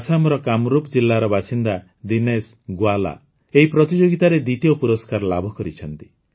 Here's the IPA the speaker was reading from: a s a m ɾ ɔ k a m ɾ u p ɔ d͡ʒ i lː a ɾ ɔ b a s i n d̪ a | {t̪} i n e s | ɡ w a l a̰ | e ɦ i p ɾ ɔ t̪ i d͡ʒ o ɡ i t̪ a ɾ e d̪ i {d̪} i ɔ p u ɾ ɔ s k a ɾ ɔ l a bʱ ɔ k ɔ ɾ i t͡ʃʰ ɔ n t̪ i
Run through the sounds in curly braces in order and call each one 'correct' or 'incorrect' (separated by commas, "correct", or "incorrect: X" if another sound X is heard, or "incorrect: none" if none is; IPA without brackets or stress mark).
incorrect: d̪, incorrect: t̪